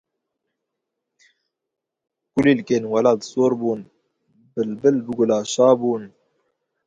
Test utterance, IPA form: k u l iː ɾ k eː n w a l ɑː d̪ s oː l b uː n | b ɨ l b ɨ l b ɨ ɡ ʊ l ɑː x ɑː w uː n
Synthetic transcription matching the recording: k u l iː l k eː n w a l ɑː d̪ s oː ɾ b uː n | b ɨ l b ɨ l b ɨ ɡ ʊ l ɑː ʃ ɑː b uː n